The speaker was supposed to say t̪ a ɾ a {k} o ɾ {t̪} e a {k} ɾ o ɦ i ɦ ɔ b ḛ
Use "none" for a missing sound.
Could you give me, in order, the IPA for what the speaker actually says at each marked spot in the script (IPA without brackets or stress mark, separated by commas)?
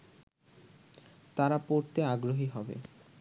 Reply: p, t̪, ɡ